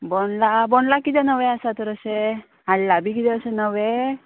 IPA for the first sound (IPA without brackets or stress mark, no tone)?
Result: b